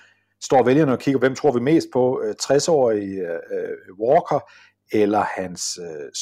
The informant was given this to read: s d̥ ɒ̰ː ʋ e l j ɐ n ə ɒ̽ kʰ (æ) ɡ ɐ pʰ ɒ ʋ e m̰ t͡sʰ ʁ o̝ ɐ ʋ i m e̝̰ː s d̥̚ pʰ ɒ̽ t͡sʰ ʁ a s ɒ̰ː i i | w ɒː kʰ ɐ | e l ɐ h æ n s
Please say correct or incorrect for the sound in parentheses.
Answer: incorrect